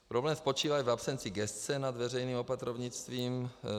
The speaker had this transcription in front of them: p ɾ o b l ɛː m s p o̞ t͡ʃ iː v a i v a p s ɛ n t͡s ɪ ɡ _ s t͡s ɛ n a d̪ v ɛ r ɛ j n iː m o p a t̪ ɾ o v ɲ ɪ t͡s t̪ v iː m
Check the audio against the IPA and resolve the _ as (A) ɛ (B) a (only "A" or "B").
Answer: A